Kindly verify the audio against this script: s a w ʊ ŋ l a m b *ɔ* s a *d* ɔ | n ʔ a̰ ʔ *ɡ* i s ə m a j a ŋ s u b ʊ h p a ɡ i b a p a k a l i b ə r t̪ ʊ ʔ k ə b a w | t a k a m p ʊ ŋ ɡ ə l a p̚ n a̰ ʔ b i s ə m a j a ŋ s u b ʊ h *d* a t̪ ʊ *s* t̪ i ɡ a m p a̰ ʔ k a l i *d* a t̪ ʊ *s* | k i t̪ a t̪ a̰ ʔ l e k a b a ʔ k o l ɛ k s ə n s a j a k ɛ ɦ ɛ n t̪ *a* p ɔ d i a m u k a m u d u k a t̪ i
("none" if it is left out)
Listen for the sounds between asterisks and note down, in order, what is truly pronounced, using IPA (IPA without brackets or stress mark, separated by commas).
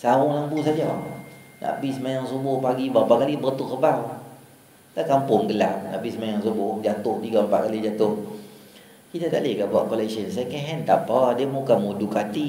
u, d͡ʒ, b, d͡ʒ, h, d͡ʒ, h, a